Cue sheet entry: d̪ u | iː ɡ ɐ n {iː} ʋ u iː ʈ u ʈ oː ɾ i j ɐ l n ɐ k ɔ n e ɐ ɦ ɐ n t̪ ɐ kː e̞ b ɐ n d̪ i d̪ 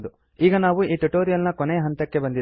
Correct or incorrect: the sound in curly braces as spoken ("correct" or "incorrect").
incorrect